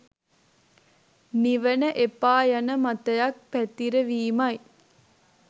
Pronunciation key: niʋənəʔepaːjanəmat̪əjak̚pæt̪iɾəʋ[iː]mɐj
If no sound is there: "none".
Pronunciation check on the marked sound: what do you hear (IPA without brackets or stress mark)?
iː